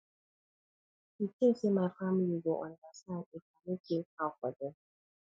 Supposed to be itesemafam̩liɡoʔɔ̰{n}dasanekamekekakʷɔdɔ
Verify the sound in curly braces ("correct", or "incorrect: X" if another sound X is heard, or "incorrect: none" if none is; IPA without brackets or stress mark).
correct